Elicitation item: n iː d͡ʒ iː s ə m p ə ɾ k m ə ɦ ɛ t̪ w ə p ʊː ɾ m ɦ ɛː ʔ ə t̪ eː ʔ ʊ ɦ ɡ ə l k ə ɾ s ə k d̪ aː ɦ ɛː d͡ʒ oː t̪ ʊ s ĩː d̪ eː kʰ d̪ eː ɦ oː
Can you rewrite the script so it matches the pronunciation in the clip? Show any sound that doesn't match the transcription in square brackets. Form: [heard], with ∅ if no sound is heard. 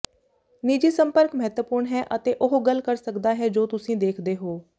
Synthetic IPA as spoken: n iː d͡ʒ iː s ə m p ə ɾ k m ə ɦ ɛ t̪ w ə p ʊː ɾ [ɳ] ɦ ɛː ʔ ə t̪ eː ʔ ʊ ɦ ɡ ə l k ə ɾ s ə k d̪ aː ɦ ɛː d͡ʒ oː t̪ ʊ s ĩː d̪ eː kʰ d̪ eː ɦ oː